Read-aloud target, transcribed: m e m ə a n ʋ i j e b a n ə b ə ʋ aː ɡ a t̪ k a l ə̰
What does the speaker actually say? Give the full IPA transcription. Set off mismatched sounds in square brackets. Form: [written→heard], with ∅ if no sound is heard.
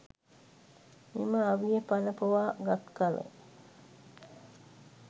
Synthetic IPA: m [e→i] m ə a [n→∅] ʋ i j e [b→p] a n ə [b→p] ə ʋ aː ɡ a t̪ k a l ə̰